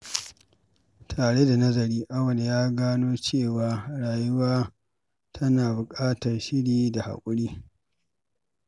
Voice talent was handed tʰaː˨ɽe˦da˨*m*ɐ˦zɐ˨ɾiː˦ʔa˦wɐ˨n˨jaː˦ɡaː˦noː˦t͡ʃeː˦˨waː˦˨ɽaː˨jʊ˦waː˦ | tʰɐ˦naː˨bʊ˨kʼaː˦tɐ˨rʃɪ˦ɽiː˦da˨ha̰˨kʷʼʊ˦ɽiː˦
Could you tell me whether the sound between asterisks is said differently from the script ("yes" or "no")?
yes